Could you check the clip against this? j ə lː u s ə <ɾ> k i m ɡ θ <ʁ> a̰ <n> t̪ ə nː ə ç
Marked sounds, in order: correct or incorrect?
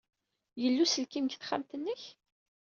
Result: incorrect: l, incorrect: χ, incorrect: m

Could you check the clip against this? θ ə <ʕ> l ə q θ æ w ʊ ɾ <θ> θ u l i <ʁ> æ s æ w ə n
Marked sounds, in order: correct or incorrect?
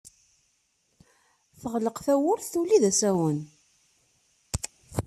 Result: incorrect: ʁ, correct, incorrect: ð

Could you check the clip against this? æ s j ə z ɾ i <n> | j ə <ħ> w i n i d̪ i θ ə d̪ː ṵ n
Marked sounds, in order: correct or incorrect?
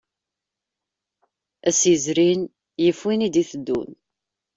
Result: correct, incorrect: f

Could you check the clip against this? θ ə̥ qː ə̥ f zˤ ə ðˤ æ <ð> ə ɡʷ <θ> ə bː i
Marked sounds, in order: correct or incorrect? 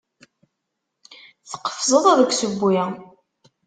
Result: correct, incorrect: s

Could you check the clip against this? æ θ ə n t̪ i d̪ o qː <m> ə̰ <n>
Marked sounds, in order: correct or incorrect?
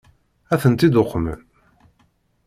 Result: correct, correct

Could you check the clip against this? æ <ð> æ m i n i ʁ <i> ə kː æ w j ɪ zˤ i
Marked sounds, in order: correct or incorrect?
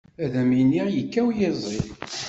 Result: correct, incorrect: j

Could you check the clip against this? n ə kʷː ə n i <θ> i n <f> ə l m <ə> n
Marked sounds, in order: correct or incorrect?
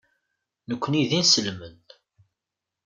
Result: incorrect: ð, incorrect: s, correct

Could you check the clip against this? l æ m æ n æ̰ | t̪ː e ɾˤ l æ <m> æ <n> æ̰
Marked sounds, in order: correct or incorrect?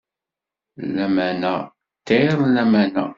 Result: correct, correct

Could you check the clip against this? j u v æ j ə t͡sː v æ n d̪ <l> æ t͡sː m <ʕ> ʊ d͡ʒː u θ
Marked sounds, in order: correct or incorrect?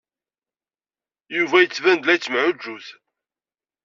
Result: correct, correct

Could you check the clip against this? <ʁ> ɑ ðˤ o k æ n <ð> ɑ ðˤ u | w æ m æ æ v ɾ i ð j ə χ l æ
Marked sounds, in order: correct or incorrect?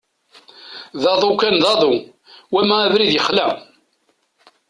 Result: incorrect: ð, correct

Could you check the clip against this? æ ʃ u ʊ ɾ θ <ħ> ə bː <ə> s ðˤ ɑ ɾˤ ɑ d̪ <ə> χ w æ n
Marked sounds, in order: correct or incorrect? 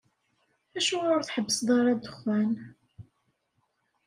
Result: correct, correct, correct

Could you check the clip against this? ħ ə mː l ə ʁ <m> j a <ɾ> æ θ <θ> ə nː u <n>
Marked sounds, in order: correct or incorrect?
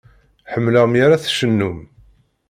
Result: correct, correct, incorrect: ʃ, incorrect: m

